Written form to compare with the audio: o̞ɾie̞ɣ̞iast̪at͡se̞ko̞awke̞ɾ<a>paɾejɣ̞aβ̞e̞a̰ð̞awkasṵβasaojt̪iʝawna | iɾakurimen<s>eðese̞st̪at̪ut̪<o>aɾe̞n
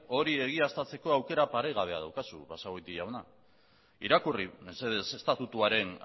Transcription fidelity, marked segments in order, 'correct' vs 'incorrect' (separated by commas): correct, correct, incorrect